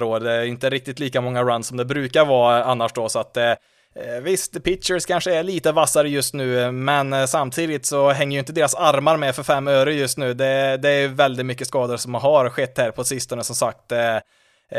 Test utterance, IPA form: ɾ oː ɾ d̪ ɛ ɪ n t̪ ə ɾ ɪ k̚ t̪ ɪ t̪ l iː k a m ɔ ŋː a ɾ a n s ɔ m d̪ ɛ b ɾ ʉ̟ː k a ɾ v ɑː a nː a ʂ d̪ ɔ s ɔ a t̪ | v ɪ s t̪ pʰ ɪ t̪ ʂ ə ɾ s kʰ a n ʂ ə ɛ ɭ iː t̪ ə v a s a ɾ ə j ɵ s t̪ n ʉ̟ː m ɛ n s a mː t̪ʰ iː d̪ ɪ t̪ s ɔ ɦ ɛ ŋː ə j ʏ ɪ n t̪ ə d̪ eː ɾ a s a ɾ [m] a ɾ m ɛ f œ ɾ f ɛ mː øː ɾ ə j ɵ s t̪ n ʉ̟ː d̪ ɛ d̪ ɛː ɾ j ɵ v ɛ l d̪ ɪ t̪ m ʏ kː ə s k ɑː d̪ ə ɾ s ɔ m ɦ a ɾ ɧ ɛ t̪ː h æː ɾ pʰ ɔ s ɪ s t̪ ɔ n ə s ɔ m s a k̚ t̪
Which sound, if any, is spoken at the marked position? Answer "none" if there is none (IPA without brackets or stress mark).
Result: m